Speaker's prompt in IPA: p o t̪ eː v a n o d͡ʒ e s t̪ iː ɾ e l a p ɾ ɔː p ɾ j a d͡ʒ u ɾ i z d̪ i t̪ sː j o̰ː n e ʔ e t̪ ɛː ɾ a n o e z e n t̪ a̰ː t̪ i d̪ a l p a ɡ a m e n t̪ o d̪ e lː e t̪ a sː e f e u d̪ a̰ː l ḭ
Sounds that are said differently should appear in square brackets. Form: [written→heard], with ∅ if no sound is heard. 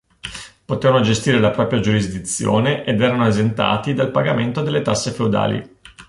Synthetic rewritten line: p o t̪ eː v a n o d͡ʒ e s t̪ iː ɾ e l a p ɾ ɔː p ɾ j a d͡ʒ u ɾ i z d̪ i t̪ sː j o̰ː n e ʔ e [t̪→d̪] ɛː ɾ a n o e z e n t̪ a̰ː t̪ i d̪ a l p a ɡ a m e n t̪ o d̪ e lː e t̪ a sː e f e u d̪ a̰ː l ḭ